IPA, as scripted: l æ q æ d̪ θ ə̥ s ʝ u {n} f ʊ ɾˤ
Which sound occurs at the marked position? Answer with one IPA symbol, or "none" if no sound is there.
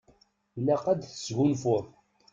n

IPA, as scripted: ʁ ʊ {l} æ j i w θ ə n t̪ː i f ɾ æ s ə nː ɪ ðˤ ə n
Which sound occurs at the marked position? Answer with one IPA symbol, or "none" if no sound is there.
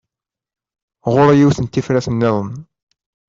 ɾ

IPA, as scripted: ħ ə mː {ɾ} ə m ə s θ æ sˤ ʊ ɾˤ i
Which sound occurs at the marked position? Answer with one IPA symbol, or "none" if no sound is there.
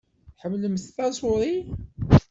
l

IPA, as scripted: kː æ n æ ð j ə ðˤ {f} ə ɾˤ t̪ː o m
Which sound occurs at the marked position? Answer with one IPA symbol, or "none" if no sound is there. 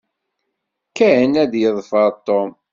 f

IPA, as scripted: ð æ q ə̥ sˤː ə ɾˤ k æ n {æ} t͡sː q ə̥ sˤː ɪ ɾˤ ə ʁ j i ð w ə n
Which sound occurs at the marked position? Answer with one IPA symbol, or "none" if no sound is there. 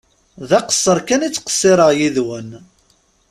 i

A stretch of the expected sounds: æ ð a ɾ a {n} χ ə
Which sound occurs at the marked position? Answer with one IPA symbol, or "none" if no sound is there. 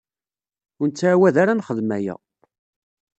n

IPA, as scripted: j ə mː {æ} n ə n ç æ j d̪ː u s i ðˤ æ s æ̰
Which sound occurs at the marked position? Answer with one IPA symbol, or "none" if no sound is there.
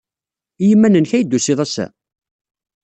æ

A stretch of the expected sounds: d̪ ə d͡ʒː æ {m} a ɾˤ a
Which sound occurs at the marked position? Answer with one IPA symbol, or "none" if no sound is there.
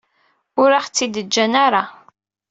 n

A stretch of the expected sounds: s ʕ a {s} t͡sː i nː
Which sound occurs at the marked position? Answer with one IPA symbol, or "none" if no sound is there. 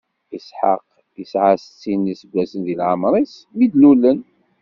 s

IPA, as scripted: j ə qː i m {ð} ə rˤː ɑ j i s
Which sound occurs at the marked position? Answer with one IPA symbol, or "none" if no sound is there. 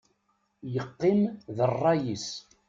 ð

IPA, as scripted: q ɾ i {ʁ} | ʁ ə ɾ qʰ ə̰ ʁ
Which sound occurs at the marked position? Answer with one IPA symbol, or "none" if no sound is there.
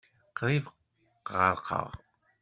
v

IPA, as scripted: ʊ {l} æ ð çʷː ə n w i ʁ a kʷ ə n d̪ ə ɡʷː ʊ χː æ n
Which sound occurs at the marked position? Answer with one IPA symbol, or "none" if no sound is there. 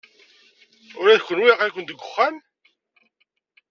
ɾ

